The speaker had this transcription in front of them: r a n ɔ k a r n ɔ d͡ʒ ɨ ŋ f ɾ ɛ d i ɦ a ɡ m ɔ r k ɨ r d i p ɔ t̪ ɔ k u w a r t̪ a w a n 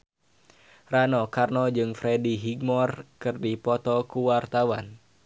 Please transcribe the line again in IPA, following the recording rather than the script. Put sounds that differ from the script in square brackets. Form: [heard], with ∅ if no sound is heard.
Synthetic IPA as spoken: r a n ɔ k a r n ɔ d͡ʒ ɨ ŋ f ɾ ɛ d i ɦ [i] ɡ m ɔ r k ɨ r d i p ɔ t̪ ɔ k u w a r t̪ a w a n